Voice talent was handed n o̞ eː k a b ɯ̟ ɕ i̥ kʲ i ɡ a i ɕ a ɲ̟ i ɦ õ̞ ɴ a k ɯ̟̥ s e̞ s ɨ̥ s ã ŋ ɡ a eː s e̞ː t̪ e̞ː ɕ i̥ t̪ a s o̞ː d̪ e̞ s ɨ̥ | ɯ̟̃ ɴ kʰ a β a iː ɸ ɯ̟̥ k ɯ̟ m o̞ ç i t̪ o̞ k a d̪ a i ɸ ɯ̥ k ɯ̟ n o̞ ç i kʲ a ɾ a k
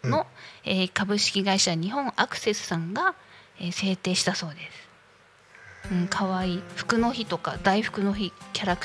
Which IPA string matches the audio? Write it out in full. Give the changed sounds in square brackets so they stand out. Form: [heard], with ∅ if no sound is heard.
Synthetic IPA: n o̞ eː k a b ɯ̟ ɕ i̥ kʲ i ɡ a i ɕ a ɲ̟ i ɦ õ̞ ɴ a k ɯ̟̥ s e̞ s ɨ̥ s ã ŋ ɡ a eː s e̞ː t̪ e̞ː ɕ i̥ t̪ a s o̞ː d̪ e̞ s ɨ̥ | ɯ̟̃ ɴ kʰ a β a iː ɸ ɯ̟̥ k ɯ̟ [n] o̞ ç i t̪ o̞ k a d̪ a i ɸ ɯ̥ k ɯ̟ n o̞ ç i kʲ a ɾ a k